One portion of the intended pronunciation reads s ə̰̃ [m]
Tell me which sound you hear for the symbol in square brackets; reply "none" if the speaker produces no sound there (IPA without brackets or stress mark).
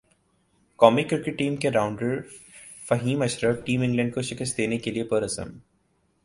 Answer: m